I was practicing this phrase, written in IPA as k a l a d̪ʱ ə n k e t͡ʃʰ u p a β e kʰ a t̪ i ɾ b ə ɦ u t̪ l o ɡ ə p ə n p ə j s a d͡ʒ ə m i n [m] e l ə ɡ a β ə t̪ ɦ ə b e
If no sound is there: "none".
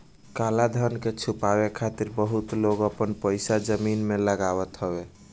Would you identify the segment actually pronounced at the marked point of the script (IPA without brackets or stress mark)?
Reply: m